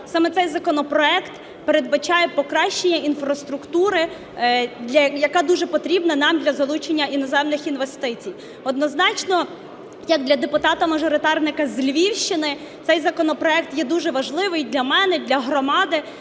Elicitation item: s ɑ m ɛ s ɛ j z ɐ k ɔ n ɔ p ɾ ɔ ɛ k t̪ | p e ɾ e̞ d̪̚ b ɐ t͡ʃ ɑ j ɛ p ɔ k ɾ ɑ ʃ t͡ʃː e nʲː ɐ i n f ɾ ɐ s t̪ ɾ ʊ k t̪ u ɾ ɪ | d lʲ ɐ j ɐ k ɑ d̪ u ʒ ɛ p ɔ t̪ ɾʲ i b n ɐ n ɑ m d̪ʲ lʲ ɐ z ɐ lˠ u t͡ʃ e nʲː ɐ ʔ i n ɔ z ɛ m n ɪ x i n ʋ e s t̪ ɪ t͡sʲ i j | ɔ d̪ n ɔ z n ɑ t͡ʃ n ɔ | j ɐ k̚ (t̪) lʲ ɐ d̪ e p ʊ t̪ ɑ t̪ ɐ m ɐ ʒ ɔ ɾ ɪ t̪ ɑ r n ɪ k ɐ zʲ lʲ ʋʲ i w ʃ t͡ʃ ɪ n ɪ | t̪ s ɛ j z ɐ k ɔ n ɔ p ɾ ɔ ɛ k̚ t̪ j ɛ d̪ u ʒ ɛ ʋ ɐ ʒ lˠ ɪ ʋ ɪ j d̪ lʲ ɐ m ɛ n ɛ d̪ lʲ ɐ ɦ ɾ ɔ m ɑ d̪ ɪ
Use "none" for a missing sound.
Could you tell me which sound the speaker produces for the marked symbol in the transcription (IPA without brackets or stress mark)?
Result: d̪